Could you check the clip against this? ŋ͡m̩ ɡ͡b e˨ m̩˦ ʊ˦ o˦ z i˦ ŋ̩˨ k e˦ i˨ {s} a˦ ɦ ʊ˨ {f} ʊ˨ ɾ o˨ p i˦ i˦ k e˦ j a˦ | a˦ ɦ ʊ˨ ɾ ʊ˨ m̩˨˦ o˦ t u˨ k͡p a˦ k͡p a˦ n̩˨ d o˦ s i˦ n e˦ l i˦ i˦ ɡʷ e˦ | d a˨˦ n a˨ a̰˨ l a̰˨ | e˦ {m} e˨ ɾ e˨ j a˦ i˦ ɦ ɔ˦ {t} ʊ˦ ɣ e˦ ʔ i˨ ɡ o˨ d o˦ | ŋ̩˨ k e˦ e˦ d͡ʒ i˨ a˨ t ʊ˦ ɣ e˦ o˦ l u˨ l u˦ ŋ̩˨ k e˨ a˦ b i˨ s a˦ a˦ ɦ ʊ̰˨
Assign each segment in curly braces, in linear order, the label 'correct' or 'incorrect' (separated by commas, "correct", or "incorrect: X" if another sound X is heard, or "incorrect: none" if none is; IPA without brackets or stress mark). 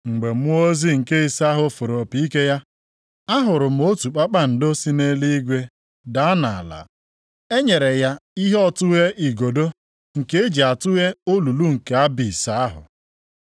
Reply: correct, correct, incorrect: ɲ, correct